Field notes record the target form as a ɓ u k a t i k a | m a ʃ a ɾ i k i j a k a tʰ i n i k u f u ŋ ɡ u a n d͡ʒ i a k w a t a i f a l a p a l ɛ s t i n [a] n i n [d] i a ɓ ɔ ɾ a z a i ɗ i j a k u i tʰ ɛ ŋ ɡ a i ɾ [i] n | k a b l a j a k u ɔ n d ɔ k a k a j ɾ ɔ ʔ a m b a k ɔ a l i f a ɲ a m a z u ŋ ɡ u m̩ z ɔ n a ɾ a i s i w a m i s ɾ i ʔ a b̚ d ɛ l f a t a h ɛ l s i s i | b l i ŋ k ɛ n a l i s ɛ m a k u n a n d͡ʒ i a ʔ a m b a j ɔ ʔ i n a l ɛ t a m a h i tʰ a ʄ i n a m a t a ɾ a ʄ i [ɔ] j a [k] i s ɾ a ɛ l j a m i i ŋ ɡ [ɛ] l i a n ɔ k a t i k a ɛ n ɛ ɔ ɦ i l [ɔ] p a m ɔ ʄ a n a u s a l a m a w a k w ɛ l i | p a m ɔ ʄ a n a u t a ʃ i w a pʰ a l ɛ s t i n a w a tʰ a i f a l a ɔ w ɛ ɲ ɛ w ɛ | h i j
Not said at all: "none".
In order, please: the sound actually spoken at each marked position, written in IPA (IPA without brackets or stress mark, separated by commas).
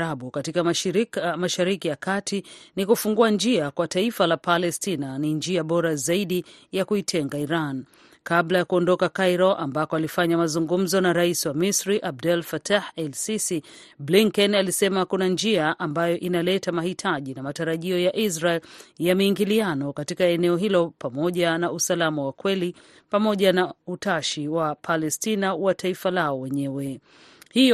a, d͡ʒ, a, ɔ, ʔ, i, ɔ